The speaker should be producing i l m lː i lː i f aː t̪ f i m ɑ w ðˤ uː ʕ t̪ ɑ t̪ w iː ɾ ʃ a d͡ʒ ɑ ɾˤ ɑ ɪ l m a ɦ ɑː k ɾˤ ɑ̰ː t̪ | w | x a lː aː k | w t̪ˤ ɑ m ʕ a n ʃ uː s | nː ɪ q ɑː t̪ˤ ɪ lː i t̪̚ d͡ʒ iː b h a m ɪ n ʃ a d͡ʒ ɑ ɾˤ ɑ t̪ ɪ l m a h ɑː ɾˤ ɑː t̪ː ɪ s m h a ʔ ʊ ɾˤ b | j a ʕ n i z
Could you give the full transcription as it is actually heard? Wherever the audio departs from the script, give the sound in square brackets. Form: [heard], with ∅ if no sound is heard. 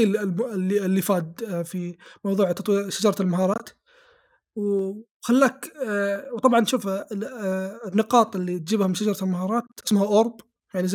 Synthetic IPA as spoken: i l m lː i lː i f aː [d̪] f i m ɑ w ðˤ uː ʕ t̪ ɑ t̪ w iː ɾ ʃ a d͡ʒ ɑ ɾˤ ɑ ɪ l m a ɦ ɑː [∅] ɾˤ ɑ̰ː t̪ | w | x a lː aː k | w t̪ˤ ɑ [b] ʕ [ɑ] n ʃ uː [f] | nː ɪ q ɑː t̪ˤ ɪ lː i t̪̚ d͡ʒ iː b h a m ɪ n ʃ a d͡ʒ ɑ ɾˤ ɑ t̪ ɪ l m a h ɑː ɾˤ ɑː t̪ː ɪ s m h a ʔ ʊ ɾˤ b | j a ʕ n i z